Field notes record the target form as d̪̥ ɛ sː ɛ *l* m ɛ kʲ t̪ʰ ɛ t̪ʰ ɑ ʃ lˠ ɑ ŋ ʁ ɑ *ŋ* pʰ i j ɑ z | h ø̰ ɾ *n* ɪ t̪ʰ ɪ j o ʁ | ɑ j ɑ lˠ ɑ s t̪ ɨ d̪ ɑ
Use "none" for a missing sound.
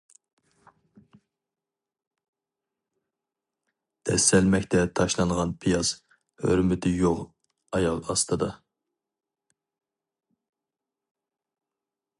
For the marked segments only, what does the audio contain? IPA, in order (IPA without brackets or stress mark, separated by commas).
l, n, m